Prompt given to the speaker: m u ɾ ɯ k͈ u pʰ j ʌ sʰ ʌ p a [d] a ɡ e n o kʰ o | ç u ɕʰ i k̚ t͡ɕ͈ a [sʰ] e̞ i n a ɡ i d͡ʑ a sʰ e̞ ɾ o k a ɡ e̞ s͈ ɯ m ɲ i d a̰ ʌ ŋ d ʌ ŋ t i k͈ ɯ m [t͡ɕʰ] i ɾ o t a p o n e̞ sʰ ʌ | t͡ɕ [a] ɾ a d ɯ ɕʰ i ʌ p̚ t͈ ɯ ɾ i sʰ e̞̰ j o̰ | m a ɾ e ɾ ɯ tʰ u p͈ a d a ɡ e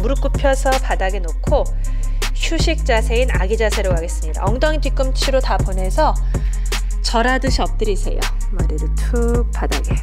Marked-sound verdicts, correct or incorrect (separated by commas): correct, correct, correct, incorrect